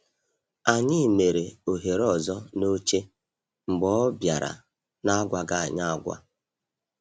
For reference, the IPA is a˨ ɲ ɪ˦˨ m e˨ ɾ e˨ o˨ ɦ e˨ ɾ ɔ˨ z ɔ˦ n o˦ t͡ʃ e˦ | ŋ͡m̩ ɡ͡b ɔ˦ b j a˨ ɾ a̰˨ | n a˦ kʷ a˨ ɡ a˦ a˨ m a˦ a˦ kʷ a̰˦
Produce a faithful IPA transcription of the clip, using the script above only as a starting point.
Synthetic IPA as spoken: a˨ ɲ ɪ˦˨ m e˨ ɾ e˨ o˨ ɦ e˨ ɾ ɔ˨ z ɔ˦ n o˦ t͡ʃ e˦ | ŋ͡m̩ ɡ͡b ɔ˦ b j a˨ ɾ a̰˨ | n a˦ ɡʷ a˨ ɡ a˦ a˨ ɲ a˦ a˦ ɡʷ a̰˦